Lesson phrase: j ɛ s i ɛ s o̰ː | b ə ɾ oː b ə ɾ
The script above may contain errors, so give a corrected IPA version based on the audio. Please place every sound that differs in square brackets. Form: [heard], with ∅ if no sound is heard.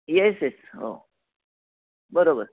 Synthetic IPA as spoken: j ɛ s [j] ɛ s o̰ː | b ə ɾ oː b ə ɾ